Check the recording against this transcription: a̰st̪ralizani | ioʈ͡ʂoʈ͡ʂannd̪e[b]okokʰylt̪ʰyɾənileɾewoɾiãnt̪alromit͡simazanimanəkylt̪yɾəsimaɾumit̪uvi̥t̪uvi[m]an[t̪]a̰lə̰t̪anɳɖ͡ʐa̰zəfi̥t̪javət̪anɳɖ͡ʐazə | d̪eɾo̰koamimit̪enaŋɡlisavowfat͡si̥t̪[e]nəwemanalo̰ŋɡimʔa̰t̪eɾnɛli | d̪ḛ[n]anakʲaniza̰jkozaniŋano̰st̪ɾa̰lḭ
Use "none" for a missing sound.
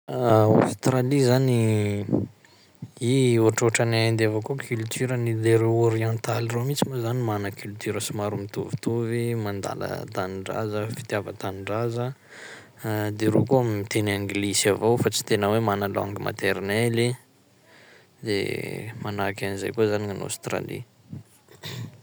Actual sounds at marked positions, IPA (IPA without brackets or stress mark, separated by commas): v, m, d̪, e, m